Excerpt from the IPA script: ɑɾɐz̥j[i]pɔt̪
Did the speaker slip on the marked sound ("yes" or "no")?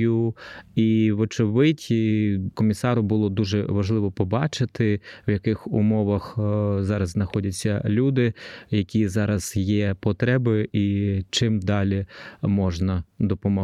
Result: yes